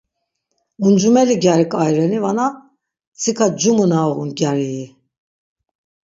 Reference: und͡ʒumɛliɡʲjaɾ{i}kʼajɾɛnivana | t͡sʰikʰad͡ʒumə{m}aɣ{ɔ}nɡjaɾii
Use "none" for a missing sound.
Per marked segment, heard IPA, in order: i, n, u

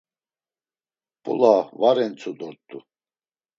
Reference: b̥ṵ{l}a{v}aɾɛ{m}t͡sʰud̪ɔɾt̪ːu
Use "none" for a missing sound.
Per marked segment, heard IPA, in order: l, v, n

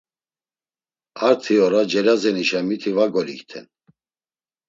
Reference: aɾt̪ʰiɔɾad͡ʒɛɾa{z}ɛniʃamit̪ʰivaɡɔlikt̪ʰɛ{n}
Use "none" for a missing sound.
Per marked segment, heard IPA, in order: z, n

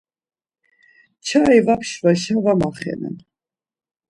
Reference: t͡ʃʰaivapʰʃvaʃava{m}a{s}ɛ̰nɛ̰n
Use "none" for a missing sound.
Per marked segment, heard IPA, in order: m, χ

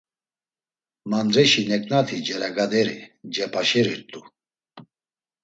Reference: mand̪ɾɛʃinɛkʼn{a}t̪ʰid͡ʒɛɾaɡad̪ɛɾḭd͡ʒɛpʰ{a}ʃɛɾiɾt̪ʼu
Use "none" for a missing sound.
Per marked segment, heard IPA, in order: a, a

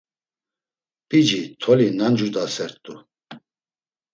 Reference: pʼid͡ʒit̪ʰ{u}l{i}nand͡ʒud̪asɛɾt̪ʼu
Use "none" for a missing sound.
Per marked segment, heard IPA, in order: ɔ, i

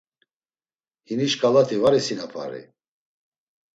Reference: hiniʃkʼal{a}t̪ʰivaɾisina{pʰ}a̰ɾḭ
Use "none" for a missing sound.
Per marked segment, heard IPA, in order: a, pʰ

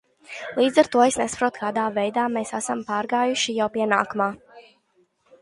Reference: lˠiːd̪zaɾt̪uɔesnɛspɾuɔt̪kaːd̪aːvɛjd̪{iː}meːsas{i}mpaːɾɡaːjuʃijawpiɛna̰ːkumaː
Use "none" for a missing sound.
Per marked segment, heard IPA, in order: aː, a

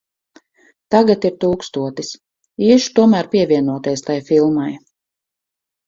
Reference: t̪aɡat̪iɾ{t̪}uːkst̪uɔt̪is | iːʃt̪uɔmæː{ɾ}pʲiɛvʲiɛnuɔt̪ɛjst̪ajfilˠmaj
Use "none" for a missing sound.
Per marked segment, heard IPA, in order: t̪, ɾ

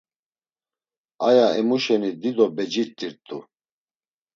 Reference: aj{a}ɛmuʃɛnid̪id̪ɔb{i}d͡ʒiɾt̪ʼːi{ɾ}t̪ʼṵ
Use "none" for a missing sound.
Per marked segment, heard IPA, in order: a, ɛ, ɾ

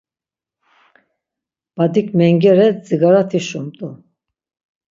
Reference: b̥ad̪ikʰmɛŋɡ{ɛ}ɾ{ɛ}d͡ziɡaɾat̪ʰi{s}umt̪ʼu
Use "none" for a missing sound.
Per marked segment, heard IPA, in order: ɛ, ɛ, ʃ

